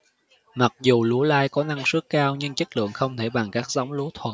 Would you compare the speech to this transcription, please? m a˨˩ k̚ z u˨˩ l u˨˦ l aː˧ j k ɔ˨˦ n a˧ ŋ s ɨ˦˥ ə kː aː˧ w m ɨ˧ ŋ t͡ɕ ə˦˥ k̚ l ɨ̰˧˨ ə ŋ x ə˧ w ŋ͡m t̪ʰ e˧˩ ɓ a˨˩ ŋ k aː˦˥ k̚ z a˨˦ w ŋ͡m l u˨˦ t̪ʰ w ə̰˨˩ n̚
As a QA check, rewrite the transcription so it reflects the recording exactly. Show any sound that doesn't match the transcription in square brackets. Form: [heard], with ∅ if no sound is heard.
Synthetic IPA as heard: m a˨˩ k̚ z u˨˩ l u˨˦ l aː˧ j k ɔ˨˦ n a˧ ŋ s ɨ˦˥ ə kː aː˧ w [ɲ] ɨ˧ ŋ t͡ɕ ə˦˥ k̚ l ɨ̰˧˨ ə ŋ x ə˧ w ŋ͡m t̪ʰ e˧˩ ɓ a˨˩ ŋ k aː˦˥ k̚ z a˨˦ w ŋ͡m l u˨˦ t̪ʰ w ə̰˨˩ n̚